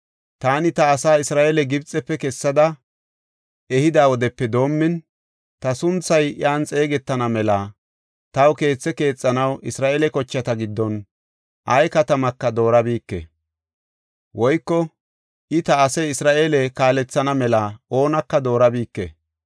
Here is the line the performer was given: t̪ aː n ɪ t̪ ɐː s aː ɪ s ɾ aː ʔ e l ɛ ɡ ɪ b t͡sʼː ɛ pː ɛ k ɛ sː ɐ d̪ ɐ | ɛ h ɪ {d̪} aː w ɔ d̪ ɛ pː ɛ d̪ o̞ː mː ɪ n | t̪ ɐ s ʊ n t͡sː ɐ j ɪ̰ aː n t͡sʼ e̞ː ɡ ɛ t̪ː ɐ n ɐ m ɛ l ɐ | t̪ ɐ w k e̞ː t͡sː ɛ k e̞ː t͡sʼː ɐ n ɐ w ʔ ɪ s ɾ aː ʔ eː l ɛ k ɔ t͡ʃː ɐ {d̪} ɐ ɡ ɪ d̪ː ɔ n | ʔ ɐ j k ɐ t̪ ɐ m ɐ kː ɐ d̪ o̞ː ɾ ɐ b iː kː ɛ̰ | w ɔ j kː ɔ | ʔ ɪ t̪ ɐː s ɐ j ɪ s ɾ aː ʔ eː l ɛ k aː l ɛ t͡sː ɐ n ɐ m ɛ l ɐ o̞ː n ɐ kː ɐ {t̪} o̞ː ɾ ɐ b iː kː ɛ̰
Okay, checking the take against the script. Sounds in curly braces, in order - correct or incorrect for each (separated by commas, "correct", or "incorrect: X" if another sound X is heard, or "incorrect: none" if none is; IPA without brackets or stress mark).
correct, incorrect: t̪, incorrect: d̪